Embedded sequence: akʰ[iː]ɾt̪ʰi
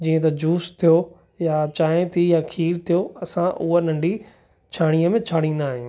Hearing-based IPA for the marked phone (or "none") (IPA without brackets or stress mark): iː